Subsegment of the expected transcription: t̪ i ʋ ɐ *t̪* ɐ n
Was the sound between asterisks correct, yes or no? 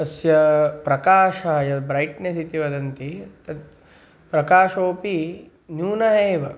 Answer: no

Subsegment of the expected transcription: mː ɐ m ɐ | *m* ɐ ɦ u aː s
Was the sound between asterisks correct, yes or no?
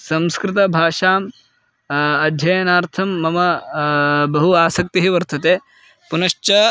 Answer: no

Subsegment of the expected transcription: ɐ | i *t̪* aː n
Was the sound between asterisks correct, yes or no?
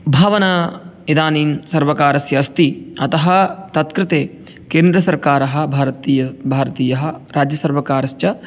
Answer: no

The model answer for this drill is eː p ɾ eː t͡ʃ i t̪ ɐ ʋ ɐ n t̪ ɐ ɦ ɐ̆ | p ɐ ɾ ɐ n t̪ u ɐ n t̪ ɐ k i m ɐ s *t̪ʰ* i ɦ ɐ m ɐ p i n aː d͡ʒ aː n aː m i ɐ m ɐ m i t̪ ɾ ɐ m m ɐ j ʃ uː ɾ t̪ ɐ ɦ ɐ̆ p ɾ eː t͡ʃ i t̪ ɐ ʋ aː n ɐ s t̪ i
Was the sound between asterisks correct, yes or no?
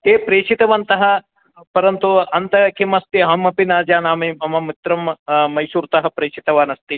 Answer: no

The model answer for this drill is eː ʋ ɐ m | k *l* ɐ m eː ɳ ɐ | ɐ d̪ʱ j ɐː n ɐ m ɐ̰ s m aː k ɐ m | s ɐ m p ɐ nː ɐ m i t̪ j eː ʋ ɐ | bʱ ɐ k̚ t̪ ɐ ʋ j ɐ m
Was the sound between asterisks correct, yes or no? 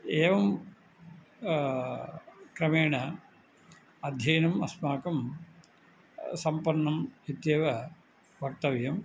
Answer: no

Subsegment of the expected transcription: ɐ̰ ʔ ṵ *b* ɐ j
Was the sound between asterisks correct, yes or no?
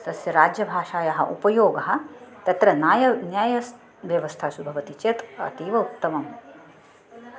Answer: no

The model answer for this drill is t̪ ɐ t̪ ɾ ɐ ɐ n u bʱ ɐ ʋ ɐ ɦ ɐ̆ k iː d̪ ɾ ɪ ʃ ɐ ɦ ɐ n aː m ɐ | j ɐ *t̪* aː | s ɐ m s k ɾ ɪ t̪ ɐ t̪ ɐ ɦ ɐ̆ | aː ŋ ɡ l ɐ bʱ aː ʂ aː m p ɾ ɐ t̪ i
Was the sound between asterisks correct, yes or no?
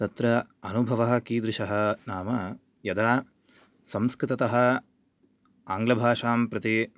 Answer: no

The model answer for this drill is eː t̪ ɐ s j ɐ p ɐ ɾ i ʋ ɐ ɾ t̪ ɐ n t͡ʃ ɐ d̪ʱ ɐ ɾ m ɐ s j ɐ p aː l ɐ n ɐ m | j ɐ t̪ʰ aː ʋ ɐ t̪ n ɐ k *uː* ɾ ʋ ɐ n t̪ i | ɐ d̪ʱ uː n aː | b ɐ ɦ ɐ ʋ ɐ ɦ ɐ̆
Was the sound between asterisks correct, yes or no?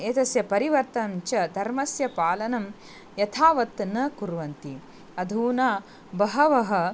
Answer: no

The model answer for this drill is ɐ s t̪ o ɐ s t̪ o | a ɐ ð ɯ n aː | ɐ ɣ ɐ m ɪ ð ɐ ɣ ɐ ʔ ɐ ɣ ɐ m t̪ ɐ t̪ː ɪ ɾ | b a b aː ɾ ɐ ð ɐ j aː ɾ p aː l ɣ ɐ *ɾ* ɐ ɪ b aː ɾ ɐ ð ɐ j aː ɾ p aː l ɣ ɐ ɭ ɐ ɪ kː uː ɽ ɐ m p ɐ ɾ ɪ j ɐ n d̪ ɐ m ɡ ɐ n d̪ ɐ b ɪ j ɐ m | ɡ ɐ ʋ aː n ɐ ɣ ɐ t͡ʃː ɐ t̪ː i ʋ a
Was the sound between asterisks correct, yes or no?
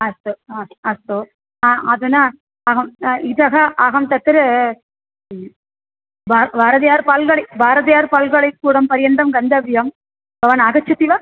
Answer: no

